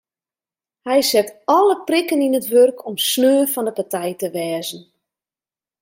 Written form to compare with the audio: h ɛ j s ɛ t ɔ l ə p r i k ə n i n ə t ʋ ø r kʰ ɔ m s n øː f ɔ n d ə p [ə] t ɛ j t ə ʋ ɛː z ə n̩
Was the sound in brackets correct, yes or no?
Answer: no